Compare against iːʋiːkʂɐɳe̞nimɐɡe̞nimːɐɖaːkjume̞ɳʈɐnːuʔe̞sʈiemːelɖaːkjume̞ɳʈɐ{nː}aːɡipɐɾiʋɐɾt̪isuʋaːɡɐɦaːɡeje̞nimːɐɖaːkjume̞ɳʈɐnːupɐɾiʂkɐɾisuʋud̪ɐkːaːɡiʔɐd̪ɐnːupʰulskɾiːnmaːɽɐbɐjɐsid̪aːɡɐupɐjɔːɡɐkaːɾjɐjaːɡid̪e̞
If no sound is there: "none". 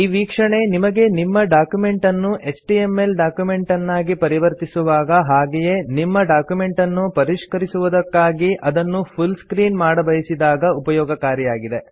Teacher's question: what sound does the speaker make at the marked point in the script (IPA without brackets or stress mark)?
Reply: nː